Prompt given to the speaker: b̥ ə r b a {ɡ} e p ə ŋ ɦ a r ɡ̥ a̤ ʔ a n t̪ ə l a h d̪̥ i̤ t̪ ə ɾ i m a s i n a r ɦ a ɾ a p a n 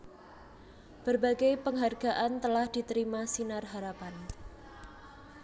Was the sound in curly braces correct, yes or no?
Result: yes